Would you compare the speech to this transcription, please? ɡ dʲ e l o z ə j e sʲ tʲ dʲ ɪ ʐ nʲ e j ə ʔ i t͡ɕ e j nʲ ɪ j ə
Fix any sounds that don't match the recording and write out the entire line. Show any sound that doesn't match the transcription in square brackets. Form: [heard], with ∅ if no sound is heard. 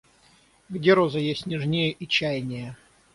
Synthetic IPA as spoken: ɡ dʲ e [ɾ] o z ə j e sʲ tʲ [nʲ] ɪ ʐ nʲ e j ə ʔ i t͡ɕ [æ] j nʲ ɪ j ə